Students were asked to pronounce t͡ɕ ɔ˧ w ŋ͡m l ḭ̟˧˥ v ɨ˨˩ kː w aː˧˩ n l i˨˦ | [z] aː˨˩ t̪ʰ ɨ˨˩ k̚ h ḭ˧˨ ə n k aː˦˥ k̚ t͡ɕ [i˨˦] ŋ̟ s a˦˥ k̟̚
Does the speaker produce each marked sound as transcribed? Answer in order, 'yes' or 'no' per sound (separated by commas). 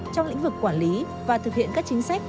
no, yes